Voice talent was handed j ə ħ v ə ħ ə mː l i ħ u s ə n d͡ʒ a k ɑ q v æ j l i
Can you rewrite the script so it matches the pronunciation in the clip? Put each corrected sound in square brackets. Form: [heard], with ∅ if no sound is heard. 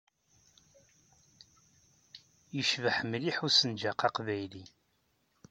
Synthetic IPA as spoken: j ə [ʃ] v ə ħ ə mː l i ħ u s ə n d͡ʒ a [q] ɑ q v æ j l i